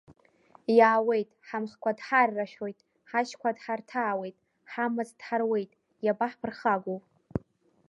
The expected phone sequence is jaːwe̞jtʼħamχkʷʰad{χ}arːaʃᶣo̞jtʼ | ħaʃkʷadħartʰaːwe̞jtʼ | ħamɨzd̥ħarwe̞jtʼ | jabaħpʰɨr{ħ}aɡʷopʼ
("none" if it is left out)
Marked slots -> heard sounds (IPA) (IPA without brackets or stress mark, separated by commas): ħ, χ